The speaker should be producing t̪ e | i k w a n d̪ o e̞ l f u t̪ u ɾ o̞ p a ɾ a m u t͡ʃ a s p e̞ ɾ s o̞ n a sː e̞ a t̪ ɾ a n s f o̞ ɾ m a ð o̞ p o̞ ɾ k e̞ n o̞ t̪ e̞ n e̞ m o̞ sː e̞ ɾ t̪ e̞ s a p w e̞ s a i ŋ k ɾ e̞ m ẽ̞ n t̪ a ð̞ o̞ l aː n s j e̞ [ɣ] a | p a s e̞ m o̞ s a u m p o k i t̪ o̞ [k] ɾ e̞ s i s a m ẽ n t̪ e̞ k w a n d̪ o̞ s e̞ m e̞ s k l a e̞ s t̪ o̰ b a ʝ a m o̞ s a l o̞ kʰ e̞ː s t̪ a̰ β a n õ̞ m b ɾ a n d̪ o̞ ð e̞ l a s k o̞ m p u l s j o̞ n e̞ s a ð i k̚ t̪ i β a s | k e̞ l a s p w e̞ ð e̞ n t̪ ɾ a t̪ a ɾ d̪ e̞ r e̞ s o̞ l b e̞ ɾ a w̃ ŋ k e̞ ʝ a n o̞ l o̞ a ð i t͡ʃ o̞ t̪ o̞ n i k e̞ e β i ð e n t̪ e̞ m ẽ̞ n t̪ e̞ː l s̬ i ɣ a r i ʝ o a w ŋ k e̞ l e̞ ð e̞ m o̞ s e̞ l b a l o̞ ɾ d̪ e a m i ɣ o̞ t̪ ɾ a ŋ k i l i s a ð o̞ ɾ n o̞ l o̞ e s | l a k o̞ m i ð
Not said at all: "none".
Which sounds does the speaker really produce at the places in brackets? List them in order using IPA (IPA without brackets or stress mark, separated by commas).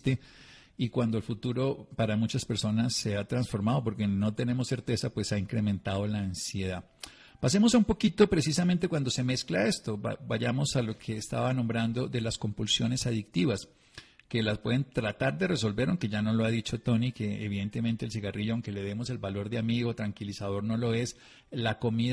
ð, p